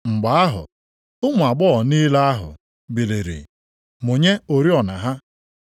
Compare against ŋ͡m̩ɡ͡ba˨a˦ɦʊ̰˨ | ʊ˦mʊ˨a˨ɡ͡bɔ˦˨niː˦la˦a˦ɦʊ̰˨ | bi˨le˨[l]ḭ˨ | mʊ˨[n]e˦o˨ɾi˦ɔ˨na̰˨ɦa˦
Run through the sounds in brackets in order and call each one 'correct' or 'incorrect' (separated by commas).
incorrect, incorrect